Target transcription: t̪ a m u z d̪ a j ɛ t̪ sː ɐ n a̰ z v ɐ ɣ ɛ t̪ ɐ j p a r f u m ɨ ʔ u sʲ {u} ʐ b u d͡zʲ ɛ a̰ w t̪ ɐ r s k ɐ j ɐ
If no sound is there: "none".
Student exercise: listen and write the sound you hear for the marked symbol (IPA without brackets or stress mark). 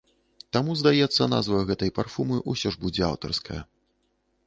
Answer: ɔ